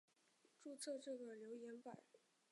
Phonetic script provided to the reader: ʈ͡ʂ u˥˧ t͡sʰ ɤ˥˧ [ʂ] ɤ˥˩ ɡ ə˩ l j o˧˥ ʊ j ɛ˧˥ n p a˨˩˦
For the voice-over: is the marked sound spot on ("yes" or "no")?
no